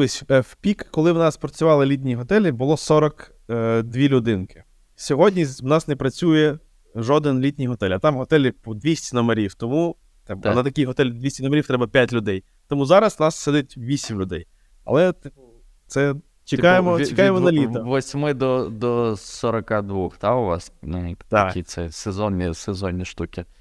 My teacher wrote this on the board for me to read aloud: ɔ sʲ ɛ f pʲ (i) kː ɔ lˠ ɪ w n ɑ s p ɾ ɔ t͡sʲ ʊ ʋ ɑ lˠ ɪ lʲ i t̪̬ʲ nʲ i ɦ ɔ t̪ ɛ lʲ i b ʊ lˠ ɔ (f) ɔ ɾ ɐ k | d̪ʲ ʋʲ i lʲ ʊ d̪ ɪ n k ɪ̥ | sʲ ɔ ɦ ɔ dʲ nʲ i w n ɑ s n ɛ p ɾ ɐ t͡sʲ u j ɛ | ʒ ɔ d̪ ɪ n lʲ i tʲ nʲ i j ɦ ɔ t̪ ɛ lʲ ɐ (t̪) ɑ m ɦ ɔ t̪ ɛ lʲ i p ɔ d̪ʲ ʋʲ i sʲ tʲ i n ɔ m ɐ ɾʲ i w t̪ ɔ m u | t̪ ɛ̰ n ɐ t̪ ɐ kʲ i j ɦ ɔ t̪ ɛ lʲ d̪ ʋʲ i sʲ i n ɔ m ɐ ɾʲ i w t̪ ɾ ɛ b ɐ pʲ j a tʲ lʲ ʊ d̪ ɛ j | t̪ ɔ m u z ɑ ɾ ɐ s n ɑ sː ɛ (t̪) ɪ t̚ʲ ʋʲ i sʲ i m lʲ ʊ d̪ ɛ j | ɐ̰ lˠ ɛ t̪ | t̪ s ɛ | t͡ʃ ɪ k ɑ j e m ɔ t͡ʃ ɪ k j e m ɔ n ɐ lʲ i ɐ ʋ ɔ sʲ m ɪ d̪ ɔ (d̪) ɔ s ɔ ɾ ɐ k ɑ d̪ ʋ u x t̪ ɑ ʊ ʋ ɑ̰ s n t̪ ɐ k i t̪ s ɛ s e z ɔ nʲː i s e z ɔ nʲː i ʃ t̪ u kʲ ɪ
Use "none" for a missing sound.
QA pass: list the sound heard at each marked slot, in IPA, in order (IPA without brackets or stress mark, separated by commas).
i, s, t̪, d̪, d̪